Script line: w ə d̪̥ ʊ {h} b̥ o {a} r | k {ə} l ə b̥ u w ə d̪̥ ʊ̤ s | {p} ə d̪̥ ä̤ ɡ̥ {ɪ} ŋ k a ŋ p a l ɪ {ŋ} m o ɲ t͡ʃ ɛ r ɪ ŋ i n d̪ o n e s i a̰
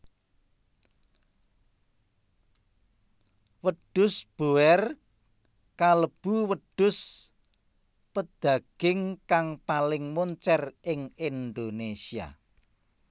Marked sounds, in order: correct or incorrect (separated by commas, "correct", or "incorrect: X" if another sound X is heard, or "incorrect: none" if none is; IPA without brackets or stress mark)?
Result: incorrect: s, incorrect: ɛ, incorrect: a, correct, correct, correct